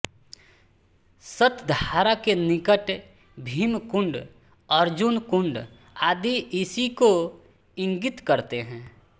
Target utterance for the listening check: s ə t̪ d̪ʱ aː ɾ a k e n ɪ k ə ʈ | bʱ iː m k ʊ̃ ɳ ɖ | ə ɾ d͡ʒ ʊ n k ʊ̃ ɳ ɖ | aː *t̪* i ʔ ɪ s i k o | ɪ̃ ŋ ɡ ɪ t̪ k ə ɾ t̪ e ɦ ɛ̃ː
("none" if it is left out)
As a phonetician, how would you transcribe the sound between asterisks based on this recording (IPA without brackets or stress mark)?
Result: d̪